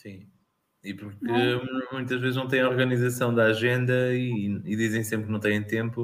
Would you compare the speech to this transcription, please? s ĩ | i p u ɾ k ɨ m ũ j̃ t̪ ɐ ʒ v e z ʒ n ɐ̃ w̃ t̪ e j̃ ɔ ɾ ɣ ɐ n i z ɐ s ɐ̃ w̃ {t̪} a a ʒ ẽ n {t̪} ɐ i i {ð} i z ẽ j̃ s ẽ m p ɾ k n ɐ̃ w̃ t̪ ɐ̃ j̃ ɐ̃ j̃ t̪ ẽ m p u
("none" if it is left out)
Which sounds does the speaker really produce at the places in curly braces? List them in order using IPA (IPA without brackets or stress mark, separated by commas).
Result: d̪, d̪, ð